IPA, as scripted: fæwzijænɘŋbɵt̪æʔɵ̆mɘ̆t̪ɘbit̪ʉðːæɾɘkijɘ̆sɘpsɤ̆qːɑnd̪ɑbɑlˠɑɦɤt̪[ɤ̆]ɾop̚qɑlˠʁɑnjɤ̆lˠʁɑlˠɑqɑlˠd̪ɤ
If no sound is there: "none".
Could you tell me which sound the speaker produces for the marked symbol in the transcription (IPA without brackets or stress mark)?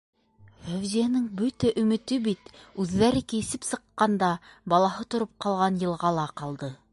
ŏ